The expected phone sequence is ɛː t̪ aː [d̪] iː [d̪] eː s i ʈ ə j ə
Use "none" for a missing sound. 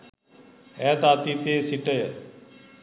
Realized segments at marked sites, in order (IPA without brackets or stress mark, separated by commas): t̪, t̪